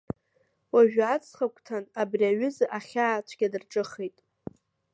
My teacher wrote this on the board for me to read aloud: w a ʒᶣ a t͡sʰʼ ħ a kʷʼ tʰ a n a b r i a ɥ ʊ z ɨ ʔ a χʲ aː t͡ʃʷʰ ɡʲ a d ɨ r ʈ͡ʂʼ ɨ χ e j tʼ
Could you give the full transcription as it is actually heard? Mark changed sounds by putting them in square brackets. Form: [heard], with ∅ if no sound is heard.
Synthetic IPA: w a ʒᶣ a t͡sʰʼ [χ] a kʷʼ tʰ a n a b r i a ɥ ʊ z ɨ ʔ a χʲ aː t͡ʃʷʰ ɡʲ a d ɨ r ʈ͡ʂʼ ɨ χ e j tʼ